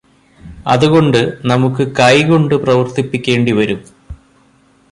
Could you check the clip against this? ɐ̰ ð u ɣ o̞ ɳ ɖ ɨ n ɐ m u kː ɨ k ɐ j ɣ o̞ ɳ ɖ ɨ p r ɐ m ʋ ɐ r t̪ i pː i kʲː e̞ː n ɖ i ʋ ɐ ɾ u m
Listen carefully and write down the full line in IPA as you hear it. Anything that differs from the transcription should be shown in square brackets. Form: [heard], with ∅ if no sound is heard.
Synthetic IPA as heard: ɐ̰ ð u ɣ o̞ ɳ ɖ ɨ n ɐ m u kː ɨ k ɐ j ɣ o̞ ɳ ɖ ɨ p r ɐ [∅] ʋ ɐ r t̪ i pː i kʲː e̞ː [ɳ] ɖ i ʋ ɐ ɾ u m